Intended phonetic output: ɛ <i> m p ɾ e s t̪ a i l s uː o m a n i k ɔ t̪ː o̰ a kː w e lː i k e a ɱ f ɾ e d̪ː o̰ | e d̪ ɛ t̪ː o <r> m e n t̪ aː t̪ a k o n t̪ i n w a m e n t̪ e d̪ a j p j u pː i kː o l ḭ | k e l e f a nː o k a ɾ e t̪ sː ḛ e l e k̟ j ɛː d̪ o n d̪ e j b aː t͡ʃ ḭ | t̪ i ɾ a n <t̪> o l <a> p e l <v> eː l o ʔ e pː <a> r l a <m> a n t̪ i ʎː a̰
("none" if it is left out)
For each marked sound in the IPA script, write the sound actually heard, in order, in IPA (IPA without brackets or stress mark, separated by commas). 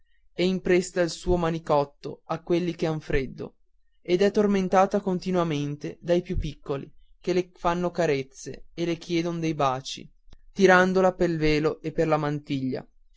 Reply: i, r, d̪, a, v, e, m